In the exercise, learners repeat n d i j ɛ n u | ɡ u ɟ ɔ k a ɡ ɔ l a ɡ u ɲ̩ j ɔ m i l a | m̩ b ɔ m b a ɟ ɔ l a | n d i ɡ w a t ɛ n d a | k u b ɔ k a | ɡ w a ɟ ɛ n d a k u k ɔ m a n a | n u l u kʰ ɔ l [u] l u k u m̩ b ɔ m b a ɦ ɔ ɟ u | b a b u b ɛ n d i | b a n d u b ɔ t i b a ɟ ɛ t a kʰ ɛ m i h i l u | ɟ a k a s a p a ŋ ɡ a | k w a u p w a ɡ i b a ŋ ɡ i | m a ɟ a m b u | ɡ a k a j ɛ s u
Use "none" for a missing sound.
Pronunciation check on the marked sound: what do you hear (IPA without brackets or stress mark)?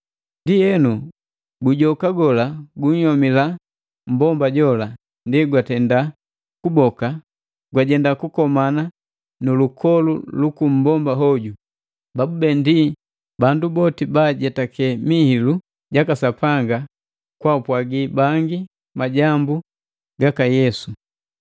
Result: u